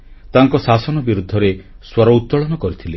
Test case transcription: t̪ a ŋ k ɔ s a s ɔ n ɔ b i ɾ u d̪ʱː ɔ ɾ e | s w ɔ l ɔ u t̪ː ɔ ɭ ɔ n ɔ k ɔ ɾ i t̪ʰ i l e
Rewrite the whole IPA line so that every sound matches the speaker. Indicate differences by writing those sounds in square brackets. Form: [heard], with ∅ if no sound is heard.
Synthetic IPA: t̪ a ŋ k ɔ s a s ɔ n ɔ b i ɾ u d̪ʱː ɔ ɾ e | s w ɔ [ɾ] ɔ u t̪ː ɔ ɭ ɔ n ɔ k ɔ ɾ i t̪ʰ i l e